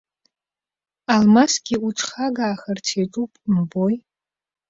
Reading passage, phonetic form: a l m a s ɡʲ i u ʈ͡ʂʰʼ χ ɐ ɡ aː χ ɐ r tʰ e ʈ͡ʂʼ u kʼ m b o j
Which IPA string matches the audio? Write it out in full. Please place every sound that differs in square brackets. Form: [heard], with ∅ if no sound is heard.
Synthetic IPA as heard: a l m a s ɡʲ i u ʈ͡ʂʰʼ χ [a] ɡ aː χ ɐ r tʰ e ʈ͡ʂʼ u [pʼ] m b o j